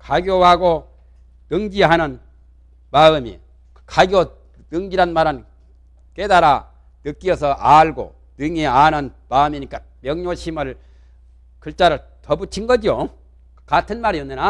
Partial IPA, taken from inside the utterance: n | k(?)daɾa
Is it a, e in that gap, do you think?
e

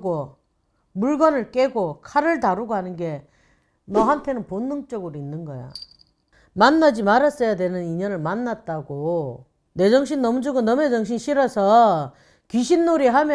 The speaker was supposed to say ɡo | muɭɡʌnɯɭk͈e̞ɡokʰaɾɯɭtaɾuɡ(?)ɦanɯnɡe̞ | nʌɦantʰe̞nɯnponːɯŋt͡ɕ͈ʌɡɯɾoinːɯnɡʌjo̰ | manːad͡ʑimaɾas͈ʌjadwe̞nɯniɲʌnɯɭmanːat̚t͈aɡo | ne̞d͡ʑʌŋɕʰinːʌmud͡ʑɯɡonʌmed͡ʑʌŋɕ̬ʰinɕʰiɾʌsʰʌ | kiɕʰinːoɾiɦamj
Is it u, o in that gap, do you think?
o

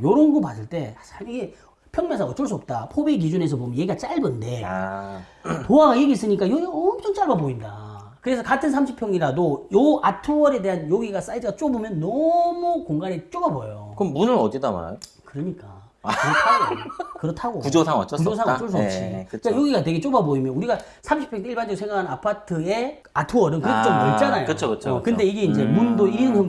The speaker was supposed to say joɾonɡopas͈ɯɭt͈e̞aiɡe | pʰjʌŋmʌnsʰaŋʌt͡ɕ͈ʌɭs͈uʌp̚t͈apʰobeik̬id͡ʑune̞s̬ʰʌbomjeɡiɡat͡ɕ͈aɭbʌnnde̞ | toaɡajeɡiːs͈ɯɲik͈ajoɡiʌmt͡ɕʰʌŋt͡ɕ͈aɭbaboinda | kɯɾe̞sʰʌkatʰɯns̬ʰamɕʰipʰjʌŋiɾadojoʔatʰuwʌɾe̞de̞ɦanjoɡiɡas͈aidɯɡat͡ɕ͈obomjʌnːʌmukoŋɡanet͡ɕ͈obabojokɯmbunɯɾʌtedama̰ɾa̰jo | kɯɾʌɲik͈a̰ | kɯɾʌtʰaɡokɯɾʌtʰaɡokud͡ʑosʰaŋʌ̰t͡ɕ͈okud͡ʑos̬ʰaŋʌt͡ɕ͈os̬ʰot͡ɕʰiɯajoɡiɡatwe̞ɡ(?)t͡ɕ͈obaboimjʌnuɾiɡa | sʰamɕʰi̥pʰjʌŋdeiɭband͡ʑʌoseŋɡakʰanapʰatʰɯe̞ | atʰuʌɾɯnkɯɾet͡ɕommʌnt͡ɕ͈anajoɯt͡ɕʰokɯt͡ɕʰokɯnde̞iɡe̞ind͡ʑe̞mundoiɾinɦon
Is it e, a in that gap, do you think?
e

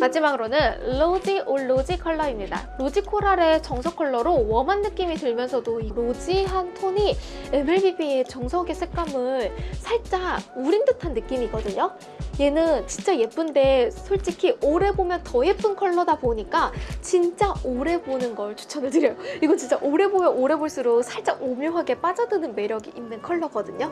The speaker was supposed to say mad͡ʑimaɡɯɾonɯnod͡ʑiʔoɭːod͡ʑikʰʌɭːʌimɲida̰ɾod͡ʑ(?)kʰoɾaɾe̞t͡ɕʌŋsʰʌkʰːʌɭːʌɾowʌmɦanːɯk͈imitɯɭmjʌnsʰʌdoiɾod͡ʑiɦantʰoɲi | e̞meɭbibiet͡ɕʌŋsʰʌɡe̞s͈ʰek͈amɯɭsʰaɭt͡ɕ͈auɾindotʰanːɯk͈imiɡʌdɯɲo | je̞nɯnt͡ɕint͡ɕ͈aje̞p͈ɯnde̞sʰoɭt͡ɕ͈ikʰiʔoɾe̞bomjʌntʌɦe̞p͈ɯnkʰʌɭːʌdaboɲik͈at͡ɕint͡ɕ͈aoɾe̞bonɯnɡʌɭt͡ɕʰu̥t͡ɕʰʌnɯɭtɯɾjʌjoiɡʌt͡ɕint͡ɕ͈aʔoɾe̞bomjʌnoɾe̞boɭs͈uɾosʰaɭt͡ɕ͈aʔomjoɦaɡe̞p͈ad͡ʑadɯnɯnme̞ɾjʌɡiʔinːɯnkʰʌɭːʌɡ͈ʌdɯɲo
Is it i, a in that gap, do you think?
i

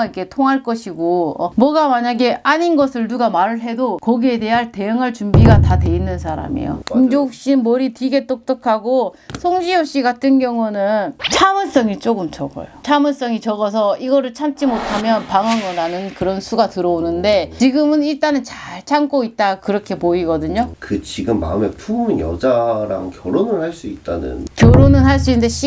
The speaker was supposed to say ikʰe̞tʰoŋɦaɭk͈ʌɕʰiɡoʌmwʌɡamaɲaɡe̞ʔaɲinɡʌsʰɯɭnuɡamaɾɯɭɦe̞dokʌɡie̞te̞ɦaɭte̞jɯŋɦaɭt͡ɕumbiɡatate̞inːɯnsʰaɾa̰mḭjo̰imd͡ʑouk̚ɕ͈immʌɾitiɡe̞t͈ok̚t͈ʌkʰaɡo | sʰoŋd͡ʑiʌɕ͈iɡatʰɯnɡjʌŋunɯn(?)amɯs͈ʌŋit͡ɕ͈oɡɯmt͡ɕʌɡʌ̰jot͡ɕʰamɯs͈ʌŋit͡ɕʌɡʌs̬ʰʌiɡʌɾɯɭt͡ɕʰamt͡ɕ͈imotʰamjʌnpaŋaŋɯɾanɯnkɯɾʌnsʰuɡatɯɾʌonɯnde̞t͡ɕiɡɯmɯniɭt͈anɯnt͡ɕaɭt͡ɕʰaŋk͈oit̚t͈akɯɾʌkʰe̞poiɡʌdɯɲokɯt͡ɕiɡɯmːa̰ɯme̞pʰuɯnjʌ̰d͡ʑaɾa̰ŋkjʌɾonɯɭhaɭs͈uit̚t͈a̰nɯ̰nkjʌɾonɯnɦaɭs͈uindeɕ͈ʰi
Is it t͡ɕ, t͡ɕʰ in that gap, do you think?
t͡ɕʰ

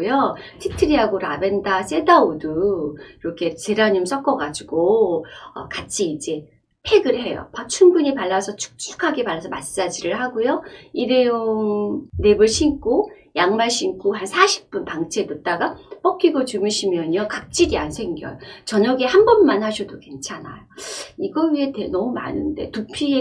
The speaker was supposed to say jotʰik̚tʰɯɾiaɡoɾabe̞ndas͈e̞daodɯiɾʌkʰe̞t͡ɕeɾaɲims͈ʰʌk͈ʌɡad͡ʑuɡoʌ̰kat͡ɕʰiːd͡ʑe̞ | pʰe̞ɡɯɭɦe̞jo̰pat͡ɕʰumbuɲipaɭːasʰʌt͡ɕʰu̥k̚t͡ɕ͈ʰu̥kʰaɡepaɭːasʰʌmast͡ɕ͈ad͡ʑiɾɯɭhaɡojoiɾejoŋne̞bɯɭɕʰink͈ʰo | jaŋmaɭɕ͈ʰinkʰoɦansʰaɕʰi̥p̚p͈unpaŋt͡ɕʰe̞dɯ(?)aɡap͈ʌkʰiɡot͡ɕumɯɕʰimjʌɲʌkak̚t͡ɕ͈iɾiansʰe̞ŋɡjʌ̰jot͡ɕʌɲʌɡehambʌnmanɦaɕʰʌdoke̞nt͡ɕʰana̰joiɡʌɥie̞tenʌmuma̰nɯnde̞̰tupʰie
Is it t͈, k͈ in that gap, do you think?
t͈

